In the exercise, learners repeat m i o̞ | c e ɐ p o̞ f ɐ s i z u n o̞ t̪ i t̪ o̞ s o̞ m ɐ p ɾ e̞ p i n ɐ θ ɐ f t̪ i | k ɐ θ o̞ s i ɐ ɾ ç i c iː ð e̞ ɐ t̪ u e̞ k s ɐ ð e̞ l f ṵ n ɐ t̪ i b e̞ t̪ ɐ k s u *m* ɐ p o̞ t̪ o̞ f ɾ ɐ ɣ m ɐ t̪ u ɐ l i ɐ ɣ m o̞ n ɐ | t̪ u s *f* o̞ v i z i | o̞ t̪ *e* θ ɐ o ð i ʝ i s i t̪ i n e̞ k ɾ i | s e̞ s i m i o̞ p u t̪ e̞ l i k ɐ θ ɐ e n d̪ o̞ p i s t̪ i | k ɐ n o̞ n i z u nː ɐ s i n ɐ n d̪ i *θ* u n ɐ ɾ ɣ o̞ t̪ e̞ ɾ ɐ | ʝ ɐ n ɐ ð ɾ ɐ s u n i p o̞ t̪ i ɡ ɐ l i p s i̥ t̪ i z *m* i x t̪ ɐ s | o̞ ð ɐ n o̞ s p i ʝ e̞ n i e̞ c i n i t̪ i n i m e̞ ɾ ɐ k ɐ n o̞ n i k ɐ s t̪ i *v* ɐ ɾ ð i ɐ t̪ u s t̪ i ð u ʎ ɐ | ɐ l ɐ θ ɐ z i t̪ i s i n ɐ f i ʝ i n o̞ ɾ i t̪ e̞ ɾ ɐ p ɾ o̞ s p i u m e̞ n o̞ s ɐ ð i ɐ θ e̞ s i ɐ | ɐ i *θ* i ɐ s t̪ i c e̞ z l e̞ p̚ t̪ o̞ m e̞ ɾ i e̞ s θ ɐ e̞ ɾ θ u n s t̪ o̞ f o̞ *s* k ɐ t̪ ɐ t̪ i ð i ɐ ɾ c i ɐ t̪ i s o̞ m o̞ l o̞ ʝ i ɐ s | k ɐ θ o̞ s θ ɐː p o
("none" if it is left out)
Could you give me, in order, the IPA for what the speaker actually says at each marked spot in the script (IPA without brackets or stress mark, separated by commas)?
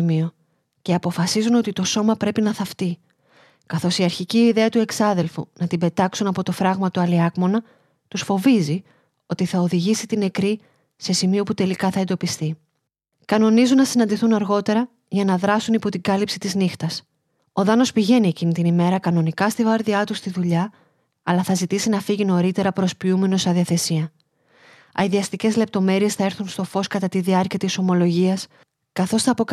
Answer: n, f, i, θ, n, v, ð, s